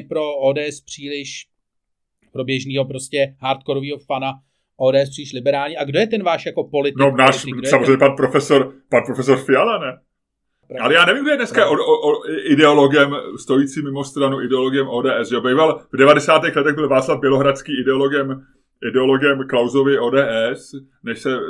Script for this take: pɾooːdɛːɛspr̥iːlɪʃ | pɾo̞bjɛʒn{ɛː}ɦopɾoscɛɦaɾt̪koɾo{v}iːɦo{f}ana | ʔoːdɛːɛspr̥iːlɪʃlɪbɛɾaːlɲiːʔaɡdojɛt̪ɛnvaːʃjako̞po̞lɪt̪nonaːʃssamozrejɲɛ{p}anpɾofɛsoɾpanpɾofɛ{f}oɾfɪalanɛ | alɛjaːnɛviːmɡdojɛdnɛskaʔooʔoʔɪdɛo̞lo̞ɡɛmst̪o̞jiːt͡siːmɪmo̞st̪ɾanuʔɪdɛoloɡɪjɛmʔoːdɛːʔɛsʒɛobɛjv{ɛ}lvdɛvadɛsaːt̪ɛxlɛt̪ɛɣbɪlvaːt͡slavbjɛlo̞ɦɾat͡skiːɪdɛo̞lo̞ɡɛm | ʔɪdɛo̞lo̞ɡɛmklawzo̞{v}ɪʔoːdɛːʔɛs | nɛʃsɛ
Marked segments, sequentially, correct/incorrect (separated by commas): incorrect, correct, correct, correct, incorrect, incorrect, correct